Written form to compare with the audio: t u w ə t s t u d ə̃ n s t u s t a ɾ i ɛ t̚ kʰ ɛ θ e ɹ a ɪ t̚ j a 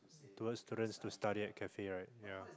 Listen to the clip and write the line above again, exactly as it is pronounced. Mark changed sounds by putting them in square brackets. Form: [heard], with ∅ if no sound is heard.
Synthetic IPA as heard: t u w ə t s t u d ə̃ n s t u s t a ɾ i ɛ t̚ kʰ ɛ [f] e ɹ a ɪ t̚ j a